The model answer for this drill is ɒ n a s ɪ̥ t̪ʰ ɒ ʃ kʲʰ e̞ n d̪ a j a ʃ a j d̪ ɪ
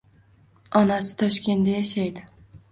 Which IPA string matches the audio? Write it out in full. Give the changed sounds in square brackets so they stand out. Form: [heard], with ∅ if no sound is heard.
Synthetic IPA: ɒ n a s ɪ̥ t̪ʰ ɒ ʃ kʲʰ e̞ n d̪ a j a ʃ a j d̪ ɪ